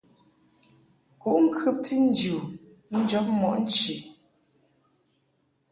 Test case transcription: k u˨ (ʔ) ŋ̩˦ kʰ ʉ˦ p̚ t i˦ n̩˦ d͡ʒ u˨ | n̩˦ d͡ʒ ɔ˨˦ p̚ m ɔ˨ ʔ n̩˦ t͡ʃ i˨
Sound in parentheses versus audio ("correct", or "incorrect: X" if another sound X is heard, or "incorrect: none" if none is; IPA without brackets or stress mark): correct